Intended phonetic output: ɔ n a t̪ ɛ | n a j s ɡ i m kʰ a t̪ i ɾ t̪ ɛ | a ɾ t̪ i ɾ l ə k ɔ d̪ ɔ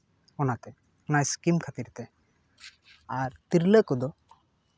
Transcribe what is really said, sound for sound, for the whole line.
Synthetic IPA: ɔ n a t̪ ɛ | n a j s k i m kʰ a t̪ i ɾ t̪ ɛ | a ɾ t̪ i ɾ l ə k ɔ d̪ ɔ